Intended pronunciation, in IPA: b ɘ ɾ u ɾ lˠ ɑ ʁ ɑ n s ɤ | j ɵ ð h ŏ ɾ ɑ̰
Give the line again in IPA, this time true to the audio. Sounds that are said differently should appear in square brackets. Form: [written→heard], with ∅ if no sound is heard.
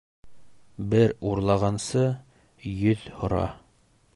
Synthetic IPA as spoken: b ɘ ɾ u ɾ lˠ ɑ ʁ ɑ n s ɤ | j ɵ ð h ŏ ɾ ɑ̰